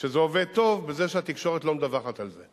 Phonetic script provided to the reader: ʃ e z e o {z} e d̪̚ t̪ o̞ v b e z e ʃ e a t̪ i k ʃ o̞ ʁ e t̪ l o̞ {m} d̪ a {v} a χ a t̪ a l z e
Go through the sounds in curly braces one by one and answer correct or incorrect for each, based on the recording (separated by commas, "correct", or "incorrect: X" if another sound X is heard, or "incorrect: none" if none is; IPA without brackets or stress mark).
incorrect: v, correct, correct